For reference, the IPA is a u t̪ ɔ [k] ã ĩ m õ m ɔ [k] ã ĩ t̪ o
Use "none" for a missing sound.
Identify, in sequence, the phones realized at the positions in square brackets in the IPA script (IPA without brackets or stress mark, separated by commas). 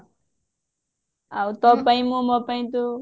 p, p